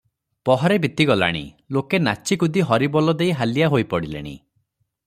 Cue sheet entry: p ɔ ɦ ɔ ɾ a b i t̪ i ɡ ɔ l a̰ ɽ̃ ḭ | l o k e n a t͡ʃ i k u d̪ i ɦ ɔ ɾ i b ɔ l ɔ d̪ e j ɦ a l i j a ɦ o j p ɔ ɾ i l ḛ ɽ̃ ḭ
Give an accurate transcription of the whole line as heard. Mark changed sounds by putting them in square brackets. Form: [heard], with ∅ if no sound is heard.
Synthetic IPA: p ɔ ɦ ɔ ɾ [e] b i t̪ i ɡ ɔ l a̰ ɽ̃ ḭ | l o k e n a t͡ʃ i k u d̪ i ɦ ɔ ɾ i b ɔ l ɔ d̪ e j ɦ a l i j a ɦ o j p ɔ [ɽ] i l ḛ ɽ̃ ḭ